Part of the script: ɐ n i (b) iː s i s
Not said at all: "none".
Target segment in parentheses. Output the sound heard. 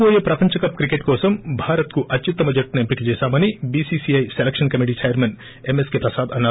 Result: b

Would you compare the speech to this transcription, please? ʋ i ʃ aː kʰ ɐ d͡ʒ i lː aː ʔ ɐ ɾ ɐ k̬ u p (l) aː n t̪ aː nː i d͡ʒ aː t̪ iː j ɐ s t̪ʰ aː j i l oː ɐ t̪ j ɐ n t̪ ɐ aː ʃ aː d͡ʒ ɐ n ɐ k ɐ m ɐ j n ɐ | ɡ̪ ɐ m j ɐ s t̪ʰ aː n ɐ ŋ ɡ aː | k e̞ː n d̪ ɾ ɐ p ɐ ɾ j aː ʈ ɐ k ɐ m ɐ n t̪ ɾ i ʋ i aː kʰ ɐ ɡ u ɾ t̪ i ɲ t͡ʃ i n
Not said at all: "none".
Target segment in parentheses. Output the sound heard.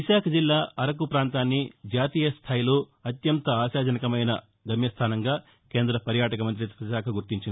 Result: ɾ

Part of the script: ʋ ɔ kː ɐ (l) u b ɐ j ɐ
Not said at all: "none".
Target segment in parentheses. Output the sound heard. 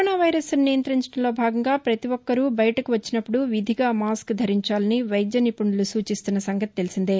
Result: ɾ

